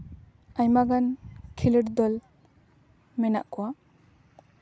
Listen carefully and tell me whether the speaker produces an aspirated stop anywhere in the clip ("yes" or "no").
yes